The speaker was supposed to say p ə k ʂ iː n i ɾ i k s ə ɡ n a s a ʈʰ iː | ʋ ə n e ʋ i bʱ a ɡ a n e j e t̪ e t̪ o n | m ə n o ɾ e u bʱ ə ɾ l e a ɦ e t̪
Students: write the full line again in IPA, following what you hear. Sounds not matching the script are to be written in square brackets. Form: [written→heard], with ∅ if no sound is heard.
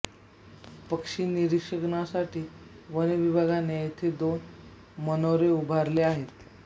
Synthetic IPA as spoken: p ə k ʂ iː n i ɾ i k [s→ʂ] ə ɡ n a s a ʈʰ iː | ʋ ə n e ʋ i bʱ a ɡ a n e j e [t̪→t̪ʰ] e [t̪→d̪] o n | m ə n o ɾ e u bʱ [ə→a] ɾ l e a ɦ e t̪